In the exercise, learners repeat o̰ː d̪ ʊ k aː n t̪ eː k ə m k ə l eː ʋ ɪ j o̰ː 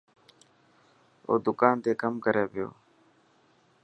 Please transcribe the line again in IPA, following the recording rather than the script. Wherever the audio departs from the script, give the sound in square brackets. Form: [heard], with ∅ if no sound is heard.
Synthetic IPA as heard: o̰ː d̪ ʊ k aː n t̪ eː k ə m k ə [ɾ] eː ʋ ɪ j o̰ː

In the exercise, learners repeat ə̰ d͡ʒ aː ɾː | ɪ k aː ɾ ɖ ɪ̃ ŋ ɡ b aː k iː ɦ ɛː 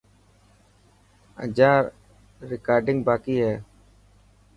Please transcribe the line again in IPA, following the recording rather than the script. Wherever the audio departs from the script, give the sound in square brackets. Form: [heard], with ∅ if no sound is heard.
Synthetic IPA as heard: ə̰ d͡ʒ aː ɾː | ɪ k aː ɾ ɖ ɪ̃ ŋ ɡ b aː k iː ɦ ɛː

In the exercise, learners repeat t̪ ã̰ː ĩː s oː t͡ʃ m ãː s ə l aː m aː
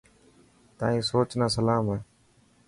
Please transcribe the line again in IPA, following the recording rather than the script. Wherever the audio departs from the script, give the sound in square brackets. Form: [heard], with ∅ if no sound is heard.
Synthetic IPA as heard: t̪ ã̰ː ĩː s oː t͡ʃ [n] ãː s ə l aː m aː

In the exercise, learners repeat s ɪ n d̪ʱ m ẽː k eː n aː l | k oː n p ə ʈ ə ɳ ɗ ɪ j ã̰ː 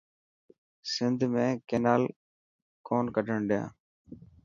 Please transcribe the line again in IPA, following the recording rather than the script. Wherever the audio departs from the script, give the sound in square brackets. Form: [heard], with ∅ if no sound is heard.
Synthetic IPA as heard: s ɪ n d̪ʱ m ẽː k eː n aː l | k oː n [k] ə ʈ ə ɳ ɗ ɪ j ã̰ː

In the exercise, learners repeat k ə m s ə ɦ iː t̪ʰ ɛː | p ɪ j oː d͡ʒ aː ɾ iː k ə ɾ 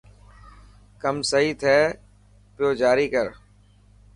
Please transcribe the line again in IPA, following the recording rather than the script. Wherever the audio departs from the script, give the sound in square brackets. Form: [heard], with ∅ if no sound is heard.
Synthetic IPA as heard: k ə m s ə ɦ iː t̪ʰ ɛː | p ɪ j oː d͡ʒ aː ɾ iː k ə ɾ

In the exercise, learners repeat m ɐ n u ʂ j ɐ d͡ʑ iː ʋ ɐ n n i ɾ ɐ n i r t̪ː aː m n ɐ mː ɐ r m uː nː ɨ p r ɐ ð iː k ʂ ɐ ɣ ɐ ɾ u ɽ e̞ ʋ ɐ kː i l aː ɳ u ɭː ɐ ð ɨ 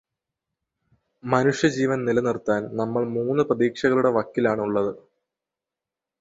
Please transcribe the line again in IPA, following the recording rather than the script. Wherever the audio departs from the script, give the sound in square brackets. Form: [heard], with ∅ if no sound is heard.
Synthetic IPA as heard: m ɐ n u ʂ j ɐ d͡ʑ iː ʋ ɐ n n i [l] ɐ n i r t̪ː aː [n] n ɐ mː ɐ [ɭ] m uː nː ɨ p r ɐ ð iː k ʂ ɐ ɣ ɐ [ɭ] u ɽ e̞ ʋ ɐ kː i l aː ɳ u ɭː ɐ ð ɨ

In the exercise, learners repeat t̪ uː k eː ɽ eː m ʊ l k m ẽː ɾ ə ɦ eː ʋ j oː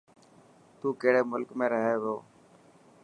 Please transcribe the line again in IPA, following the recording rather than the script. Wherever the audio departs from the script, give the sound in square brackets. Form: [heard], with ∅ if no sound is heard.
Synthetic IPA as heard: t̪ uː k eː ɽ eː m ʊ l k m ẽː ɾ ə ɦ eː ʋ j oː

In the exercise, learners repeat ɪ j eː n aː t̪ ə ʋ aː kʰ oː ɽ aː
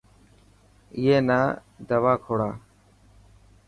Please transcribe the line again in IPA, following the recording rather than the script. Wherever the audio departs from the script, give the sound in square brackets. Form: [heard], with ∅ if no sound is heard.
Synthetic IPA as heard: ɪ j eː n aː [d̪] ə ʋ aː kʰ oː ɽ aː

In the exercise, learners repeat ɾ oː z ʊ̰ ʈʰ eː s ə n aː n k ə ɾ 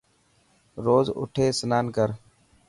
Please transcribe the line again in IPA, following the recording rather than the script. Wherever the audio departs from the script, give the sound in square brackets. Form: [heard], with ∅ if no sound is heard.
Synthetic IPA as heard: ɾ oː z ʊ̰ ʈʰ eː s ə n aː n k ə ɾ

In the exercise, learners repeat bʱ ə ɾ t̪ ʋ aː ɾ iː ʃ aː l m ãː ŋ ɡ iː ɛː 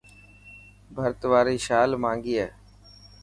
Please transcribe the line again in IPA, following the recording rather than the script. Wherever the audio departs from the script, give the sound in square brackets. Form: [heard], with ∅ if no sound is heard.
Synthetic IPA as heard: bʱ ə ɾ t̪ ʋ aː ɾ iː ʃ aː l m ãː ŋ ɡ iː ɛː

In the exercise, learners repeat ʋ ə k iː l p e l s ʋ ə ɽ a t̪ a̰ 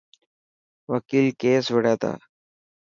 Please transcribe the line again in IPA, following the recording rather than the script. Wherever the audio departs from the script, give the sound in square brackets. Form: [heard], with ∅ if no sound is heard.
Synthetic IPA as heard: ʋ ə k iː l [k] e [∅] s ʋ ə ɽ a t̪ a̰

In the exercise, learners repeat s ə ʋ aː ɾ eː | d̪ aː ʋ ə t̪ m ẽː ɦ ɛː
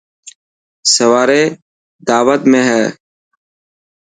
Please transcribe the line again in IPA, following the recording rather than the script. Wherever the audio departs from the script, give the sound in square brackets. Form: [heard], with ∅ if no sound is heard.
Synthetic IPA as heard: s ə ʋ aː ɾ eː | d̪ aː ʋ ə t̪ m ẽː ɦ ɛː

